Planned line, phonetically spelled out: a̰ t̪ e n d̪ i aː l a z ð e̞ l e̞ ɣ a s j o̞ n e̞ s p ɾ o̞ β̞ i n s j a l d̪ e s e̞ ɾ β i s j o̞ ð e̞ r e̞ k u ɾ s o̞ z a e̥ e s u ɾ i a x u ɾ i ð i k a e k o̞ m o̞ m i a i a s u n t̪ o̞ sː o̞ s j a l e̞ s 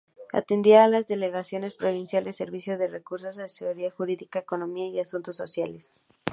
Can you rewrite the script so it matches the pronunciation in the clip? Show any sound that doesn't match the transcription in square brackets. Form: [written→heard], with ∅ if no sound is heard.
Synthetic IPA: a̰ t̪ e n d̪ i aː l a z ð e̞ l e̞ ɣ a s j o̞ n e̞ s p ɾ o̞ β̞ i n s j a l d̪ e s e̞ ɾ β i s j o̞ ð e̞ r e̞ k u ɾ s o̞ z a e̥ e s [u→o] ɾ i a x u ɾ i ð i k a e k o̞ [m→n] o̞ m i a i a s u n t̪ o̞ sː o̞ s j a l e̞ s